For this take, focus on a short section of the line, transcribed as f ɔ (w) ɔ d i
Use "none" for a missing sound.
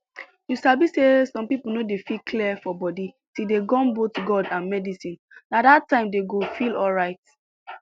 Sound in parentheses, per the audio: b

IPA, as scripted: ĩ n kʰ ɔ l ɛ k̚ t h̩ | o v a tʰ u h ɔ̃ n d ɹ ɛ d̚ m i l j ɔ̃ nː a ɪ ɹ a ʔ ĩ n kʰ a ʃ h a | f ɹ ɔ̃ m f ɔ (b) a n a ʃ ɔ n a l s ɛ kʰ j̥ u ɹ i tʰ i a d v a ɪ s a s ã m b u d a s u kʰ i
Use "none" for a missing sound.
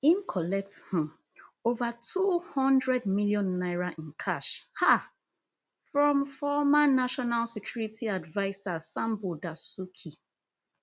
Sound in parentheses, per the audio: m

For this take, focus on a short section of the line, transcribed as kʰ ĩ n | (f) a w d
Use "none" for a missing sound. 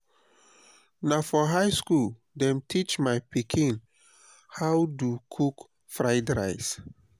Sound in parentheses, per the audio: h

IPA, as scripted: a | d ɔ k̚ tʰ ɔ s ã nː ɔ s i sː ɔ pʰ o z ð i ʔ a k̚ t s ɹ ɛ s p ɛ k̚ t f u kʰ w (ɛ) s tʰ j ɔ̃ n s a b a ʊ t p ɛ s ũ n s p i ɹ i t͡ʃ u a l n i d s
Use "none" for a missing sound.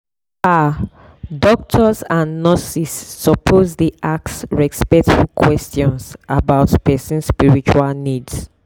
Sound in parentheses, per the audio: ɛ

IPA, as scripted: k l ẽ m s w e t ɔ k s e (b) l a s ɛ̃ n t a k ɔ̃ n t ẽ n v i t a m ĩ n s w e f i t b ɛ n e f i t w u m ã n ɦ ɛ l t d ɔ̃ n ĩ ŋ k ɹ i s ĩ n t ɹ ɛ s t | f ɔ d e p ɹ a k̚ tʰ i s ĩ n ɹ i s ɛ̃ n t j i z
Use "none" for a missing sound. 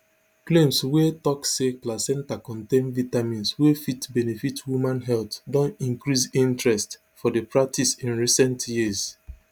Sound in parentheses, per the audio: p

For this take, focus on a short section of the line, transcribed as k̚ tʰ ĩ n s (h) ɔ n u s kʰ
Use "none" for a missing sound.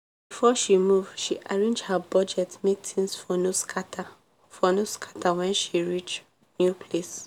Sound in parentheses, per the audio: f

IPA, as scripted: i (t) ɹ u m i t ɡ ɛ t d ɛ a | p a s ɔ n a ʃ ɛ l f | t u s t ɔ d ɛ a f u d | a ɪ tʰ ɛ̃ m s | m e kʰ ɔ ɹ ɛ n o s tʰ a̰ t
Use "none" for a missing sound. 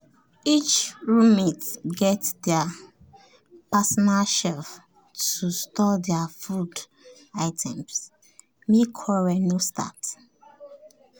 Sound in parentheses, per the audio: t͡ʃ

